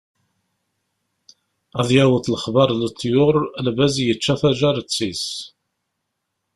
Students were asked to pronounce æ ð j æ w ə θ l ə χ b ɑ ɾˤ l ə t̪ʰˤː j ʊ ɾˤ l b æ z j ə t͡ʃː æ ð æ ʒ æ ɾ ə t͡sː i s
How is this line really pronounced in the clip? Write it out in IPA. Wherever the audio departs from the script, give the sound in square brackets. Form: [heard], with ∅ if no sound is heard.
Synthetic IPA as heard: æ ð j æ w ə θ l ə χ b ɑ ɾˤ l ə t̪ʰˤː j ʊ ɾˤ l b æ z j ə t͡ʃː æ [θ] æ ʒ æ ɾ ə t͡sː i s